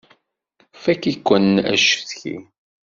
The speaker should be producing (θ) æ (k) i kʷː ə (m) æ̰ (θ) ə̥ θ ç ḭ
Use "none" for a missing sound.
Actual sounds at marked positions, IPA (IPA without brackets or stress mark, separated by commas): f, k, n, ʃ